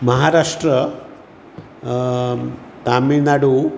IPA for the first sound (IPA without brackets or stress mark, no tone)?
m